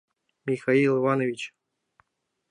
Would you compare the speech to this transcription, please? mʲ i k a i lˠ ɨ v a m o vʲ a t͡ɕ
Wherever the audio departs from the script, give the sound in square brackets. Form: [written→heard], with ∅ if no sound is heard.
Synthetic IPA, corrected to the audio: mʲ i [k→x] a i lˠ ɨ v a [m→n] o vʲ [a→i] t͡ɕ